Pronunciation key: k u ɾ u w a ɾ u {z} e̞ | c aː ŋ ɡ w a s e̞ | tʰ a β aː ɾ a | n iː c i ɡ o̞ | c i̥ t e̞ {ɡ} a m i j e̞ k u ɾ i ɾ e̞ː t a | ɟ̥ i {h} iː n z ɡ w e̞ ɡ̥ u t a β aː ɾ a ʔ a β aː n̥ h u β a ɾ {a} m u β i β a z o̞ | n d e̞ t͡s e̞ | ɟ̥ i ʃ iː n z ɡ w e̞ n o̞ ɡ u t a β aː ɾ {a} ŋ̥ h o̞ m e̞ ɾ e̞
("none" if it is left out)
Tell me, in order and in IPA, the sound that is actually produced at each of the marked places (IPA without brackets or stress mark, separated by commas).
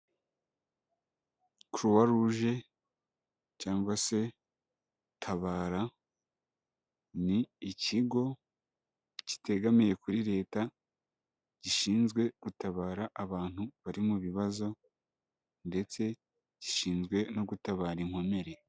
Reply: ʒ, ɡ, ʃ, i, i